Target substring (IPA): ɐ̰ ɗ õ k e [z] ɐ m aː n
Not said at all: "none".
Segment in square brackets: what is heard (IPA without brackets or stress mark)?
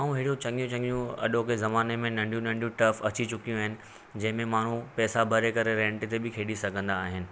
z